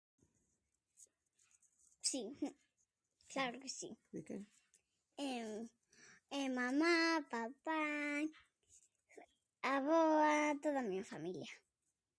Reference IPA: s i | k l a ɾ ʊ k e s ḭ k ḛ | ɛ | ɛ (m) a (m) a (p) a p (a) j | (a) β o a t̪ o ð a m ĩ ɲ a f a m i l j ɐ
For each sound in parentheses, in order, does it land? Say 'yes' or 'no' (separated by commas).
yes, yes, yes, yes, yes